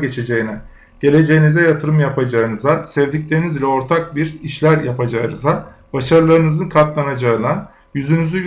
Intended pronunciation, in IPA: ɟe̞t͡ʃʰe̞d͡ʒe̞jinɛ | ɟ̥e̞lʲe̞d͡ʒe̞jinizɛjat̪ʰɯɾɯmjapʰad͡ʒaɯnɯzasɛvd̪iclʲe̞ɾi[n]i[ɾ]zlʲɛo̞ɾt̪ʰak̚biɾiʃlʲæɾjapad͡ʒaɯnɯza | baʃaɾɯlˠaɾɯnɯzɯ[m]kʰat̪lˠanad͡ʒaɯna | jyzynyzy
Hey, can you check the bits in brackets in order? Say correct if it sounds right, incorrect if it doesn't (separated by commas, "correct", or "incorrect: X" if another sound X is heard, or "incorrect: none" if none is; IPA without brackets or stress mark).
correct, incorrect: none, incorrect: n